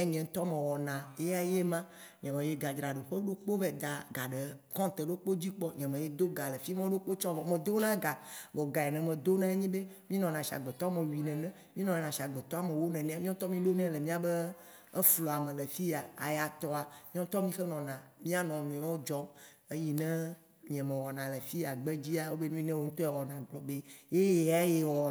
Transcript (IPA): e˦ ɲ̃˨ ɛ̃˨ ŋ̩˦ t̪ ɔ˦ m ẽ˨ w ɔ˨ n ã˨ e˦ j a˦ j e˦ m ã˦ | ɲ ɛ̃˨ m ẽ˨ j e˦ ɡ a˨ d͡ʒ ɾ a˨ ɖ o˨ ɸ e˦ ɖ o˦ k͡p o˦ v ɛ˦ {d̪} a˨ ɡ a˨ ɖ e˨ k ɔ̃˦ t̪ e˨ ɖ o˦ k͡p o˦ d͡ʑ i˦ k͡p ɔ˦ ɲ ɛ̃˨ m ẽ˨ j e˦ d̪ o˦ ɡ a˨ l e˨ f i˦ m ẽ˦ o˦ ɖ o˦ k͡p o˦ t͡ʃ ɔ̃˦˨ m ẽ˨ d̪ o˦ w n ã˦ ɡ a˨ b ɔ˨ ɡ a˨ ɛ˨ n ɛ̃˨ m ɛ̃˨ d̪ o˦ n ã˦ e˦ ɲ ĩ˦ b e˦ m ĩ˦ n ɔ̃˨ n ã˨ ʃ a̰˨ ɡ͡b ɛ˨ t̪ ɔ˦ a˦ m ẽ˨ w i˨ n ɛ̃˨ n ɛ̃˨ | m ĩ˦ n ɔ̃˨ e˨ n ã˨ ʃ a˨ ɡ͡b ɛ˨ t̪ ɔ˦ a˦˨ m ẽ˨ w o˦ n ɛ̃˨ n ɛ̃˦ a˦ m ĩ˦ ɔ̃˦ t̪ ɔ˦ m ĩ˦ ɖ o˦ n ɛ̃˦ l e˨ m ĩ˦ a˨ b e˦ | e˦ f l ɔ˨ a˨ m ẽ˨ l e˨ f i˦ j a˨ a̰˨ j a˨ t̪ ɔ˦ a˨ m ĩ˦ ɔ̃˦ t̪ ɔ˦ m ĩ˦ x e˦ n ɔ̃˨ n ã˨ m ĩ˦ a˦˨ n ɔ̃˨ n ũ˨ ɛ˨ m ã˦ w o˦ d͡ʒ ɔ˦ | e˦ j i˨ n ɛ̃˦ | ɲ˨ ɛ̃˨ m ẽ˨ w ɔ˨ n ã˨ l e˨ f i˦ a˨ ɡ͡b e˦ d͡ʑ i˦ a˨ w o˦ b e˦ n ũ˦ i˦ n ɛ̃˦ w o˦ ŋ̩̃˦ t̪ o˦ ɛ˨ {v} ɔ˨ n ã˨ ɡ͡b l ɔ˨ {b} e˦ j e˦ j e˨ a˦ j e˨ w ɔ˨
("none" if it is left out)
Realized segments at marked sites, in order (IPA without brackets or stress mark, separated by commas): d̪, w, b